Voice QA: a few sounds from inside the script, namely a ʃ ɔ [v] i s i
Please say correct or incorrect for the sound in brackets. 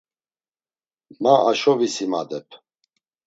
correct